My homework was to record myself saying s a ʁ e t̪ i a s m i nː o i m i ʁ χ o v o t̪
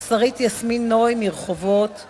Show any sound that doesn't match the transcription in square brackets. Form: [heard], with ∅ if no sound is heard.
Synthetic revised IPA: s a ʁ [i] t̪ [j] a s m i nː o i m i ʁ χ o v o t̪

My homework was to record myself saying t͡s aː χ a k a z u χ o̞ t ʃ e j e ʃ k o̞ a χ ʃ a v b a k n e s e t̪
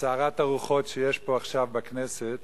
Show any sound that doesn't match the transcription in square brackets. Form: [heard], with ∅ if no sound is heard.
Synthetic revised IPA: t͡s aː [ʁ] a [t] a [ʁ] u χ o̞ t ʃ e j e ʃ [p] o̞ a χ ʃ a v b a k n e s e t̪

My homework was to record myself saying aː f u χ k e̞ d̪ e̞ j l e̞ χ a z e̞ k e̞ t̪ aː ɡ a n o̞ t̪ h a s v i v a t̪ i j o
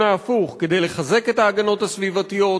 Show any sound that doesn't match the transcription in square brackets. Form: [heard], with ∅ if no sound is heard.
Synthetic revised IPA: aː f u χ k e̞ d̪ e̞ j l e̞ χ a z e̞ k e̞ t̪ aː ɡ a n o̞ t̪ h a s v i v a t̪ i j o

